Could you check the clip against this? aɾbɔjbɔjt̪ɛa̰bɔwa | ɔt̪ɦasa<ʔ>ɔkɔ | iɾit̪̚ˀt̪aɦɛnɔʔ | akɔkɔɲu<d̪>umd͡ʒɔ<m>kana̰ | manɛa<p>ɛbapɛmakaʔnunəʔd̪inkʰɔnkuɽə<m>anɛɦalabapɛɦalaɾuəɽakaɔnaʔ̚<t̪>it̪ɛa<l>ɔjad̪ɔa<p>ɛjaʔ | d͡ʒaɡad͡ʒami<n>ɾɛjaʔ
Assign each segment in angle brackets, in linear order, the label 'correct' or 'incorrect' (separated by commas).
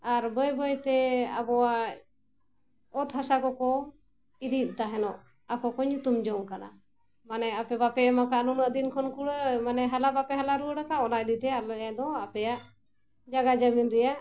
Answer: incorrect, incorrect, incorrect, correct, correct, incorrect, correct, correct, correct